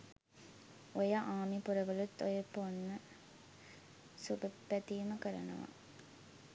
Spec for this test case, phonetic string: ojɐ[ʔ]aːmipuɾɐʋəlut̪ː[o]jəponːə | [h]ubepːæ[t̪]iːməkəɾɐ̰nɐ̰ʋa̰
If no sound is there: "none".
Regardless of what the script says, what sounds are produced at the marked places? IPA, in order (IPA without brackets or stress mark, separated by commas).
ʔ, o, s, t̪